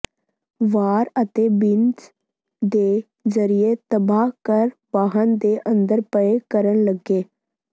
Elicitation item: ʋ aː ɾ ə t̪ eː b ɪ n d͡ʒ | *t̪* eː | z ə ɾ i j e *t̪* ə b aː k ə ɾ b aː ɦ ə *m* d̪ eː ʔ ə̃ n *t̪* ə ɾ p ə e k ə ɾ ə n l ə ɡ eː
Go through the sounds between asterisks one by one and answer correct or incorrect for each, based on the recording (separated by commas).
incorrect, correct, incorrect, incorrect